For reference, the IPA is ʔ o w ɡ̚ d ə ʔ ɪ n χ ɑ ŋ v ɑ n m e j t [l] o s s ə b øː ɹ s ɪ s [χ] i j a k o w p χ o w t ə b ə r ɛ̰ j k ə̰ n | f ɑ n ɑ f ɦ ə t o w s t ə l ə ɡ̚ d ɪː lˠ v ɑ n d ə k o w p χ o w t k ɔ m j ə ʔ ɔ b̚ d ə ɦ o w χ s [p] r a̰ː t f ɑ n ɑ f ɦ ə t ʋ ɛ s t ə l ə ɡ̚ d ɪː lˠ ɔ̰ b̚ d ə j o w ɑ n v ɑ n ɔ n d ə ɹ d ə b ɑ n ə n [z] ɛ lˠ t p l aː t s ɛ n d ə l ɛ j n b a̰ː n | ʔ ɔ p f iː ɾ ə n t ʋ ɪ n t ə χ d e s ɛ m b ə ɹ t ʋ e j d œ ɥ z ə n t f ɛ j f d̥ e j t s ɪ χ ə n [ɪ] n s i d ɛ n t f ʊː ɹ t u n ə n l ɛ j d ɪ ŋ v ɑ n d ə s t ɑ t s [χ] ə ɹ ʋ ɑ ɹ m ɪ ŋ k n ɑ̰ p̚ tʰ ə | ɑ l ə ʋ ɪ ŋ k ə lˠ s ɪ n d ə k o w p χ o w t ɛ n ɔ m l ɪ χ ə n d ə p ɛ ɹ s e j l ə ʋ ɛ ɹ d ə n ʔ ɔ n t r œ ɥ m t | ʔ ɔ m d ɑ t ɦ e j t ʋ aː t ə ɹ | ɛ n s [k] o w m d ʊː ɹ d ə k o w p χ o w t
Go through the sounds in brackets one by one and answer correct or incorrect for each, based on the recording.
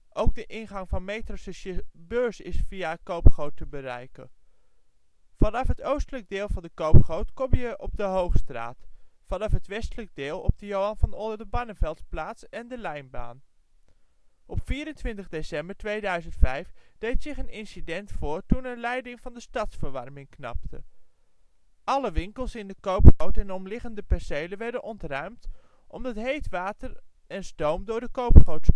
incorrect: r, incorrect: f, incorrect: t, incorrect: v, correct, incorrect: f, incorrect: t

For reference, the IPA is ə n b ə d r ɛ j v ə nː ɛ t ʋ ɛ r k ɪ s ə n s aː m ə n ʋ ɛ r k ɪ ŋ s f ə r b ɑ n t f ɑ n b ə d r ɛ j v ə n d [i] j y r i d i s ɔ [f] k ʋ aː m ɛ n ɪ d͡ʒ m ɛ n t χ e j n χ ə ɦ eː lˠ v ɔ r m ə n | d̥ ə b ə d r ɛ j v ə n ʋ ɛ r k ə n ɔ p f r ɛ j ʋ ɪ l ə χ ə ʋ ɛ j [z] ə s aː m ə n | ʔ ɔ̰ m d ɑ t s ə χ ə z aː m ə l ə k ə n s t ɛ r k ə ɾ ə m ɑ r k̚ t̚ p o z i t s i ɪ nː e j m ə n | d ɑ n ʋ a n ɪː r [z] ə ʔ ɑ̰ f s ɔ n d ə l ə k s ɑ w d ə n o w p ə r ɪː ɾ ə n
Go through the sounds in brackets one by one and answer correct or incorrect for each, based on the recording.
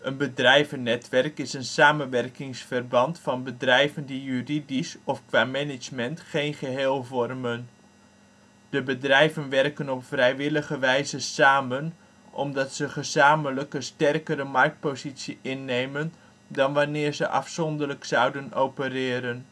correct, correct, correct, correct

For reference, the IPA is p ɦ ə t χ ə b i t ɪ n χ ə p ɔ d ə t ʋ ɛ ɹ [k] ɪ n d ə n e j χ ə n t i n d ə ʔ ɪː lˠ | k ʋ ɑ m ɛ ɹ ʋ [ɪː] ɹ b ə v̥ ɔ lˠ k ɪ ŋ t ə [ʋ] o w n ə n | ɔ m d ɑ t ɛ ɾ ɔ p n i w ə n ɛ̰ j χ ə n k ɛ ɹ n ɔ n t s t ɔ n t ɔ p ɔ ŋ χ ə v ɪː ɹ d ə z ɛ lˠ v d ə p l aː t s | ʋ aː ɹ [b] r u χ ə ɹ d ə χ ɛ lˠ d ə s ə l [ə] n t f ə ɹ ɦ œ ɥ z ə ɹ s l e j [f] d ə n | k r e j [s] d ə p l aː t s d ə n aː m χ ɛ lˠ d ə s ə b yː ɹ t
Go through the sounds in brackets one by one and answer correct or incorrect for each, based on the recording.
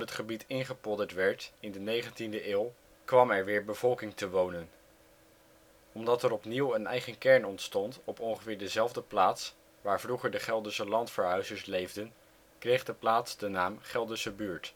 incorrect: t, correct, correct, incorrect: v, incorrect: ɑ, incorrect: v, incorrect: χ

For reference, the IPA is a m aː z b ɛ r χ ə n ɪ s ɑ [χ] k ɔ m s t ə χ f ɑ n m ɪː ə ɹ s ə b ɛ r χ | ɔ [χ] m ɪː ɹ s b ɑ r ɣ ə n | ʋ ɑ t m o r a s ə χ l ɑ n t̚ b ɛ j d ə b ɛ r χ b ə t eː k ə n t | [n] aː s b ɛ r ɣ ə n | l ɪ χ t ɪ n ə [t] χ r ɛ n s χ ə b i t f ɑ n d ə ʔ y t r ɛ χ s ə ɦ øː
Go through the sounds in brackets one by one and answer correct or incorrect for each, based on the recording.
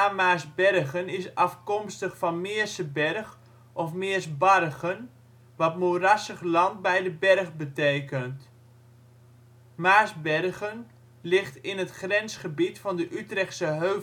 incorrect: f, incorrect: f, incorrect: m, correct

